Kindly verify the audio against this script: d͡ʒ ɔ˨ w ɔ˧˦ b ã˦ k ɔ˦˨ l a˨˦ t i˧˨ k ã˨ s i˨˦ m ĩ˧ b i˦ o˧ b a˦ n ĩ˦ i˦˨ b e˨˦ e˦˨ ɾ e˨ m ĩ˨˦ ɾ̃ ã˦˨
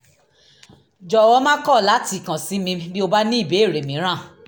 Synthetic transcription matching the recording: d͡ʒ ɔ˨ w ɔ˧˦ m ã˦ k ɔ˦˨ l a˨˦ t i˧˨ k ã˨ s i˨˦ m ĩ˧ b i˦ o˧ b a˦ n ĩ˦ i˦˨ b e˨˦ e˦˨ ɾ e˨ m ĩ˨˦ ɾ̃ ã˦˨